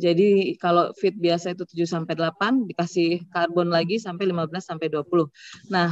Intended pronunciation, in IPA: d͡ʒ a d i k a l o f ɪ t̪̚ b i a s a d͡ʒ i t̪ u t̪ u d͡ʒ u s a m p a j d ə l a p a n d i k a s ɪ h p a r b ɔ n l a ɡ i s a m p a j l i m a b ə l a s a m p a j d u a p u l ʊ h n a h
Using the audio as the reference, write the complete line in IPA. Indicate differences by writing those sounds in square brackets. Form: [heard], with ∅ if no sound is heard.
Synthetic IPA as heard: d͡ʒ a d i k a l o f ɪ t̪̚ b i a s a [∅] i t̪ u t̪ u d͡ʒ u s a m p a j d ə l a p a n d i k a s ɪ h [k] a r b ɔ n l a ɡ i s a m p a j l i m a b ə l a s a m p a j d u a p u l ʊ h n a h